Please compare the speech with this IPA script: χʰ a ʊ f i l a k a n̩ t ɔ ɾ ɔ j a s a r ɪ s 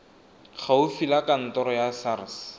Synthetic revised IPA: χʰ a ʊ f i l a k a n̩ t ɔ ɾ ɔ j a s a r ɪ s